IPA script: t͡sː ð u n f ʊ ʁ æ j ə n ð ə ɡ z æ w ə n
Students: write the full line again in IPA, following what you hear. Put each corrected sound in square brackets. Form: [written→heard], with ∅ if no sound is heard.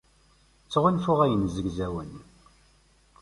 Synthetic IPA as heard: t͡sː [ð→ʁ] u n f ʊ ʁ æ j ə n [ð→z] ə ɡ z æ w ə n